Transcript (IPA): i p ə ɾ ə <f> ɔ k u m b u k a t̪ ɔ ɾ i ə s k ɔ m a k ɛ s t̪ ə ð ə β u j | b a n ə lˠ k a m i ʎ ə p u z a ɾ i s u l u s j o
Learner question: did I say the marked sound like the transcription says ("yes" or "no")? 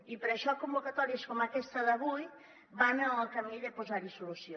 no